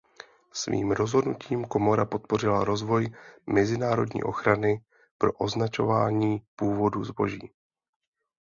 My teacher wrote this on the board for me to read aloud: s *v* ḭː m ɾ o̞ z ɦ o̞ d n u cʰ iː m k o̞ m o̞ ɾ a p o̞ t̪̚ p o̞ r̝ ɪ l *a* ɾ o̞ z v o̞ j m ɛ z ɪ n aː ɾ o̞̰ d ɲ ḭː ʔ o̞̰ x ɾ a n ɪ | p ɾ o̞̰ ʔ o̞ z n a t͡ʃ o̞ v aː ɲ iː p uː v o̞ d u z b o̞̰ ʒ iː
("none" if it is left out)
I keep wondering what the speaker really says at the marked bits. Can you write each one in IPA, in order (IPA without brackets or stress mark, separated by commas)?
v, a